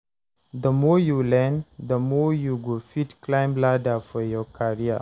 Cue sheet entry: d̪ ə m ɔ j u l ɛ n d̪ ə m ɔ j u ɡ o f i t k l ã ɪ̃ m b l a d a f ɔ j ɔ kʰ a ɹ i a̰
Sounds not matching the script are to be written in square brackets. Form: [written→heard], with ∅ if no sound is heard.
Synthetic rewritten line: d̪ ə m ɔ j u l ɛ n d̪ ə m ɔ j u ɡ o f i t k l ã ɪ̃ m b l a d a f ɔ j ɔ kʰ a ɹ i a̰